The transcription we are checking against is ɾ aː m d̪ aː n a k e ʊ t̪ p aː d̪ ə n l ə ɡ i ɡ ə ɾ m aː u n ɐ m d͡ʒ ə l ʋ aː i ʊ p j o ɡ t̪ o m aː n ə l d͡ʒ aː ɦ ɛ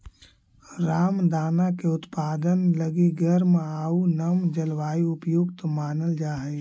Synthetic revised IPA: ɾ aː m d̪ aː n a k e ʊ t̪ p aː d̪ ə n l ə ɡ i ɡ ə ɾ m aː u n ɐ m d͡ʒ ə l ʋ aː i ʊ p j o ɡ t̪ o m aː n ə l d͡ʒ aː ɦ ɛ